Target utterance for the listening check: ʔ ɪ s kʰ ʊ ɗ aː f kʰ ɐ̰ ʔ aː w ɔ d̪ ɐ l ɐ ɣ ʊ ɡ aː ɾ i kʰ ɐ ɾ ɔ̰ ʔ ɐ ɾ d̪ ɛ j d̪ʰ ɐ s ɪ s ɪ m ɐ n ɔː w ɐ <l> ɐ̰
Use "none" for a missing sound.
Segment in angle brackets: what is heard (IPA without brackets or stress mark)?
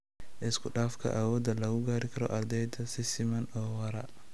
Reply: ɾ